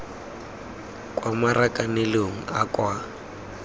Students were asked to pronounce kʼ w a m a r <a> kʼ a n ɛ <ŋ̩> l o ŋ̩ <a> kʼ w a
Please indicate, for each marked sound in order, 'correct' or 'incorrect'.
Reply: correct, incorrect, correct

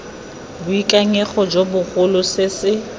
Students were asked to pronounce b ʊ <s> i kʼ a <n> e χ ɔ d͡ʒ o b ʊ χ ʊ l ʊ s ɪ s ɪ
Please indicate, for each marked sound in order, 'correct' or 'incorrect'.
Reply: incorrect, incorrect

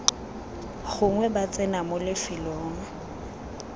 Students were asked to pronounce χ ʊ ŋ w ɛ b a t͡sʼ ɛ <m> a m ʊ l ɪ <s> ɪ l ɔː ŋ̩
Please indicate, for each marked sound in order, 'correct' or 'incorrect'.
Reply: incorrect, incorrect

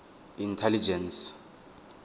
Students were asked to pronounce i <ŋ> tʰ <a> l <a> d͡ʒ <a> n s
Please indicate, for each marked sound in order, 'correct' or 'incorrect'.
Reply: incorrect, incorrect, incorrect, incorrect

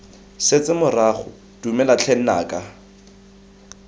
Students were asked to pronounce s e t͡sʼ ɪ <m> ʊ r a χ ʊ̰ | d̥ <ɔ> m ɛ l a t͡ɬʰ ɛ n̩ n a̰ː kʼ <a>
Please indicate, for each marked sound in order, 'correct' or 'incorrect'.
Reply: correct, incorrect, correct

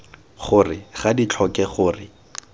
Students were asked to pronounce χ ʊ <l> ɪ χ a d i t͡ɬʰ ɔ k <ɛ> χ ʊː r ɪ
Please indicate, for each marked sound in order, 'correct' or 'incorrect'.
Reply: incorrect, correct

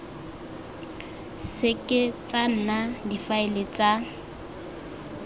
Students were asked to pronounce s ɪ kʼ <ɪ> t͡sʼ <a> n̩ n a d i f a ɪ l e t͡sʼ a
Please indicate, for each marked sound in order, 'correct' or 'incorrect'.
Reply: correct, correct

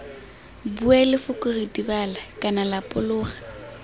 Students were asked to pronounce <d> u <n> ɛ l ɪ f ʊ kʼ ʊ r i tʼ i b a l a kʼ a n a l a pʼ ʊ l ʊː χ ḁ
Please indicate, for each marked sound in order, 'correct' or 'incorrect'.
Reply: incorrect, incorrect

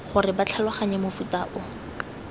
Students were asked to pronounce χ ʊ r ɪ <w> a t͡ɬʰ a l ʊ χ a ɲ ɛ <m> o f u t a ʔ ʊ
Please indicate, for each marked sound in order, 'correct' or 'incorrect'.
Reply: incorrect, correct

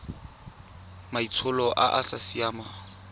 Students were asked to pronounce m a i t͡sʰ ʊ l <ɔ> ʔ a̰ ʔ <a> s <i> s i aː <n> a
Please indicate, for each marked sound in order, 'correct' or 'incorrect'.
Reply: correct, correct, incorrect, incorrect

